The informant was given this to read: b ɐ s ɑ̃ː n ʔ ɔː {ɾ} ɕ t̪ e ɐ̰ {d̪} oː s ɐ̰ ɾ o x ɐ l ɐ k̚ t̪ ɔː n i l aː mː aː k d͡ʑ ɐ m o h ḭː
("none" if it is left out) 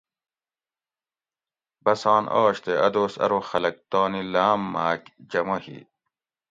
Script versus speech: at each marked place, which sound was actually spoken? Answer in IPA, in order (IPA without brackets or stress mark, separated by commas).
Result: none, d̪